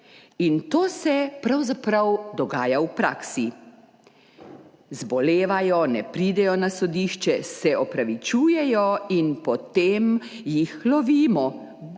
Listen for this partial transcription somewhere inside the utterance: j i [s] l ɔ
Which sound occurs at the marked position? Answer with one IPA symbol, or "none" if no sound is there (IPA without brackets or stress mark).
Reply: x